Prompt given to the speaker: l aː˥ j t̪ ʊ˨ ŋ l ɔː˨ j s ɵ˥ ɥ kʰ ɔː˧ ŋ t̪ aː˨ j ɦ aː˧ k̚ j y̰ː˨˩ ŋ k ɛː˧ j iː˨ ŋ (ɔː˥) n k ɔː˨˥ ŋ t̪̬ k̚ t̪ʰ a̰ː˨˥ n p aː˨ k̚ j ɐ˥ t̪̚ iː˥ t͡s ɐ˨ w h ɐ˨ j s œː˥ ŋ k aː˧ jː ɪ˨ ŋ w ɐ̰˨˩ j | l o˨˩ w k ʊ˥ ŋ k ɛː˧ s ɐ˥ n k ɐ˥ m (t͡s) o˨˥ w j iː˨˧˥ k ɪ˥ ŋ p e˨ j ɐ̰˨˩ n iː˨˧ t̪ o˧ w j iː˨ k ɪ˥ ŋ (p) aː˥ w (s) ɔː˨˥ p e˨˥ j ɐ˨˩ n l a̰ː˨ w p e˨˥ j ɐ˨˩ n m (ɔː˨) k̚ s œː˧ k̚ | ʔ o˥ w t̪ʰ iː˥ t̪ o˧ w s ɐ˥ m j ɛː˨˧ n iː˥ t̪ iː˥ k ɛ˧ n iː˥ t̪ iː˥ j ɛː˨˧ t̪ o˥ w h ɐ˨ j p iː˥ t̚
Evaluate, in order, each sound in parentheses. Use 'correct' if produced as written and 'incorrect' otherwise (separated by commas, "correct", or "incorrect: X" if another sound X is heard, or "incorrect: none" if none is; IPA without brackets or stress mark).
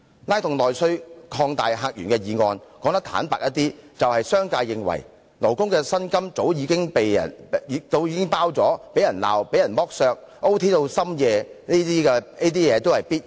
incorrect: ɔː˧, correct, correct, incorrect: t͡s, incorrect: ɔː˥